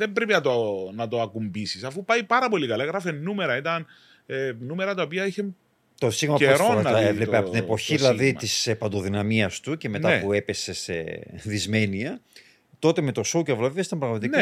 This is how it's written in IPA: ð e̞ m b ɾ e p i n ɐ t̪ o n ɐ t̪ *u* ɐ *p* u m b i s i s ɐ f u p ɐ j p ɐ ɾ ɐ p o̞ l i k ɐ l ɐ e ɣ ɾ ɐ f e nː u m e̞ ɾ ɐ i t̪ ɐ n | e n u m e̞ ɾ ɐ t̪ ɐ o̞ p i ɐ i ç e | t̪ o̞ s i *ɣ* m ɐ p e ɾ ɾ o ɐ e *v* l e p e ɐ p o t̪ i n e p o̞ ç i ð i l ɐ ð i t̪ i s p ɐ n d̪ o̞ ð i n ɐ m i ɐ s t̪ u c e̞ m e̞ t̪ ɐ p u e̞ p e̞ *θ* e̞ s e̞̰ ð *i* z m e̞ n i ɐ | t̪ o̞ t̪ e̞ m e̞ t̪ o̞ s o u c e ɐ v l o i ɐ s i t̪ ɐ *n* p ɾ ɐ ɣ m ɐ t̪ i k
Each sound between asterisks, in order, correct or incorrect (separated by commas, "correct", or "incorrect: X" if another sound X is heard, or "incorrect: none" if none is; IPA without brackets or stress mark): incorrect: o, incorrect: k, correct, correct, incorrect: s, correct, incorrect: m